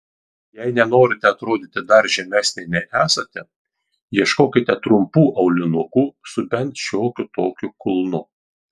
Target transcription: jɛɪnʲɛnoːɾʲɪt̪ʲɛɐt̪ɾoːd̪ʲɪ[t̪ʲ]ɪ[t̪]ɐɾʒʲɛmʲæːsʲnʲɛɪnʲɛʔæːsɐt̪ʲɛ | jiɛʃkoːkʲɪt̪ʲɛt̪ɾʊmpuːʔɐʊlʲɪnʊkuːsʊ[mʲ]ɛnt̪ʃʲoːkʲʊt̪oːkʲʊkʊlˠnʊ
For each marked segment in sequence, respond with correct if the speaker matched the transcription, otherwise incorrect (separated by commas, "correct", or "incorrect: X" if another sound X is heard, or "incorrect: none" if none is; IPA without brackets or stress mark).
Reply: correct, incorrect: d̪, incorrect: bʲ